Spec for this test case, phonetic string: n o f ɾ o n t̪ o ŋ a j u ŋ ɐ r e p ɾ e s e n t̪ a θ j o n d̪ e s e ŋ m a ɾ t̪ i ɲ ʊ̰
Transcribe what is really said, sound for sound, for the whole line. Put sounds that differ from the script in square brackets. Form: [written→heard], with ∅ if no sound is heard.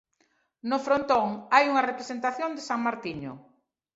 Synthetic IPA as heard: n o f ɾ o n t̪ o ŋ a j u ŋ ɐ r e p ɾ e s e n t̪ a θ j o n d̪ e s [e→a] ŋ m a ɾ t̪ i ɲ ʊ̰